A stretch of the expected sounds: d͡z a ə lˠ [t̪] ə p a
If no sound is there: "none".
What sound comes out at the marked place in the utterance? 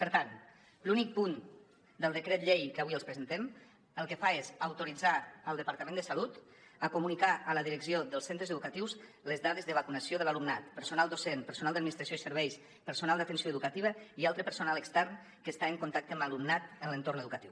d̪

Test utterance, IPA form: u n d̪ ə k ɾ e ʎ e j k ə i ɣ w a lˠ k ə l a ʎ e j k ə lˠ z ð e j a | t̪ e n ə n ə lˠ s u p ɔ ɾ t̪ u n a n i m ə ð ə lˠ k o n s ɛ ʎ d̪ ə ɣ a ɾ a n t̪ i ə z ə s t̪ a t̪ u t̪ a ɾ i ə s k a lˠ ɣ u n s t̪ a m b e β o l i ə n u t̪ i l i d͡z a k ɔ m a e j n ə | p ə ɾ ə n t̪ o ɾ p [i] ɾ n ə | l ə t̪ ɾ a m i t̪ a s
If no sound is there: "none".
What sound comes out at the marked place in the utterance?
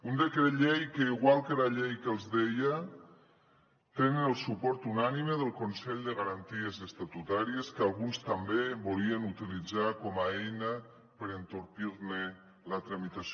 i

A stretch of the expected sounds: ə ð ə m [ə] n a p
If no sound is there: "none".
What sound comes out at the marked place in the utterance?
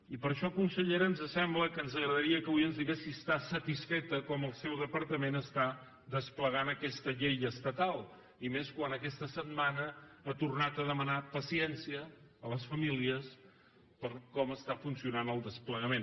ə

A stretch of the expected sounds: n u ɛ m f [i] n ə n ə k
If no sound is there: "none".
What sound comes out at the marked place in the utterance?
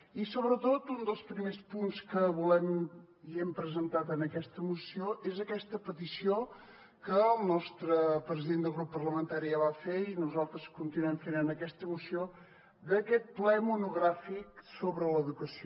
e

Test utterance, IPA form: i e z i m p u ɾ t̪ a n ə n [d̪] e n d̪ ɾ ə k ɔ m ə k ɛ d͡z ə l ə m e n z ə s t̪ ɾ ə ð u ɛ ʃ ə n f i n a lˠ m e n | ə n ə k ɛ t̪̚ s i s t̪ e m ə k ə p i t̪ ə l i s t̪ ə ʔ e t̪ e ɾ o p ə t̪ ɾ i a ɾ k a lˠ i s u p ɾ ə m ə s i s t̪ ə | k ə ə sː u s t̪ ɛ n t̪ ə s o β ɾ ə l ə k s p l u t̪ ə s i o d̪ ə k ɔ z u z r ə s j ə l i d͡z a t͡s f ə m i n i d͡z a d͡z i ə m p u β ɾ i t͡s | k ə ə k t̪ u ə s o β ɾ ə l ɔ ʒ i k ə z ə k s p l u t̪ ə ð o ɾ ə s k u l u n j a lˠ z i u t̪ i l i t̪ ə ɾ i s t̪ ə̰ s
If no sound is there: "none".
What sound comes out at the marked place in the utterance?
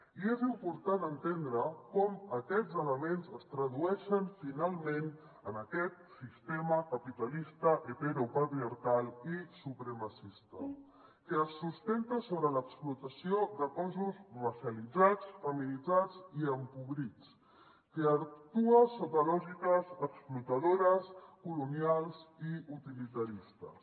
t̪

